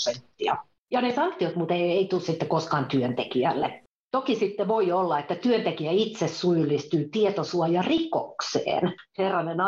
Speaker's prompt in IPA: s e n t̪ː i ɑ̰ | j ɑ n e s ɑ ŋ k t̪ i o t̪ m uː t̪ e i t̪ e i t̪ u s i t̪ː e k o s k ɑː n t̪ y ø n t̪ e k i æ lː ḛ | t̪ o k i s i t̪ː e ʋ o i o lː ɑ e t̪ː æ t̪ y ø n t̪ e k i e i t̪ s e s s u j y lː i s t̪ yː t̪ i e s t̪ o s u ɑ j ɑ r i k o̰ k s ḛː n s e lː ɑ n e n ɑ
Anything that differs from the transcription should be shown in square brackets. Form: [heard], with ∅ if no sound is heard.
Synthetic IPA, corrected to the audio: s e n t̪ː i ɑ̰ | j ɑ n e s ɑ ŋ k t̪ i o t̪ m [u] t̪ e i [∅] e i t̪ u s i t̪ː e k o s k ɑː n t̪ y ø n t̪ e k i æ lː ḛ | t̪ o k i s i t̪ː e ʋ o i o lː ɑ e t̪ː æ t̪ y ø n t̪ e k i [æ] i t̪ s e s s u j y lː i s t̪ yː t̪ i e [∅] t̪ o s u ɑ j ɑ r i k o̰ k s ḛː n [h] e [rː] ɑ n e n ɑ